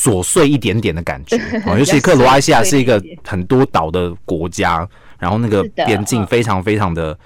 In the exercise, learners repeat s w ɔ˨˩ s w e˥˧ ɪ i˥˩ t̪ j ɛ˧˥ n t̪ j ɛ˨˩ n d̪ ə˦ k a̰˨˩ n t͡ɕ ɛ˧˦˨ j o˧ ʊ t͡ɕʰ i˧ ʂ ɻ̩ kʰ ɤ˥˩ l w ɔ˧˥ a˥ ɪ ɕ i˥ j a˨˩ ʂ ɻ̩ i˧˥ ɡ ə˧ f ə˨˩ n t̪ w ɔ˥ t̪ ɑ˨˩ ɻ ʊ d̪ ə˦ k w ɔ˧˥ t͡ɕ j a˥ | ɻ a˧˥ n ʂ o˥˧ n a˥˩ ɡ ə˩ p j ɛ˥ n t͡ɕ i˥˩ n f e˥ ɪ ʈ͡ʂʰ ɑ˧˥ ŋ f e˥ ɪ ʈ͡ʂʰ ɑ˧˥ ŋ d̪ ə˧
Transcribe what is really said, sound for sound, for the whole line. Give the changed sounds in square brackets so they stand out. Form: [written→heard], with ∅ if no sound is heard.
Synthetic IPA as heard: s w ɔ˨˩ s w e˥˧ ɪ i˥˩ t̪ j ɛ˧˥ n t̪ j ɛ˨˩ n d̪ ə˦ k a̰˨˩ n t͡ɕ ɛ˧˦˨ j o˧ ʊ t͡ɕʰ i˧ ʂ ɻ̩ kʰ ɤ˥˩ l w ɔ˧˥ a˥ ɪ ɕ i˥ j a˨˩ ʂ ɻ̩ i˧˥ ɡ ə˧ [f→x] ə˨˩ n t̪ w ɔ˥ t̪ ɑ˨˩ [ɻ→∅] ʊ d̪ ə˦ k w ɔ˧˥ t͡ɕ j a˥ | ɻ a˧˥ n [ʂ→x] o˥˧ n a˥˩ ɡ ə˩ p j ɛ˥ n t͡ɕ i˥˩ [n→ŋ] f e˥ ɪ ʈ͡ʂʰ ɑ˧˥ ŋ f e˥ ɪ ʈ͡ʂʰ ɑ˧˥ ŋ d̪ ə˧